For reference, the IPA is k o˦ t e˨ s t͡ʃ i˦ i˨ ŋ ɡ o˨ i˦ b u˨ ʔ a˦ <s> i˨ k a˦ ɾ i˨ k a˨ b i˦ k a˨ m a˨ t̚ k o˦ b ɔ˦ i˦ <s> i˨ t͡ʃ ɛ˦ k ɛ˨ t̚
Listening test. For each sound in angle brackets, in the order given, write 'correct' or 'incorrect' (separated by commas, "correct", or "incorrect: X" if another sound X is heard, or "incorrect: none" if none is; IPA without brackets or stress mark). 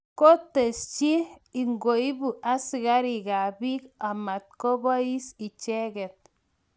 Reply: correct, correct